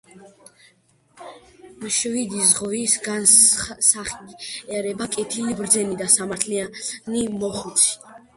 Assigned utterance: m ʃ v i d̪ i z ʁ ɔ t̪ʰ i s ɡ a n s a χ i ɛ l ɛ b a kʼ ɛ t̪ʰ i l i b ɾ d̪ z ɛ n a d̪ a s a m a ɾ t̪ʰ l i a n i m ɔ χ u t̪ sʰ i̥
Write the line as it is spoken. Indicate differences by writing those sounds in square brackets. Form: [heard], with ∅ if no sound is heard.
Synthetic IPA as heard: m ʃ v i d̪ i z ʁ ɔ [∅] i s ɡ a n s a χ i ɛ [ɾ] ɛ b a kʼ ɛ t̪ʰ i l i b ɾ d̪ z ɛ n [i] d̪ a s a m a ɾ t̪ʰ l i a n i m ɔ χ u t̪ sʰ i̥